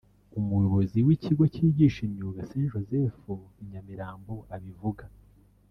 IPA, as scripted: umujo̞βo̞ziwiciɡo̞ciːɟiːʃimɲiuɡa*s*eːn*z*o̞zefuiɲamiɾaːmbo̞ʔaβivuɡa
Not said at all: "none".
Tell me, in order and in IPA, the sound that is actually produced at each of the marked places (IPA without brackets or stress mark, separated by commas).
s, ʒ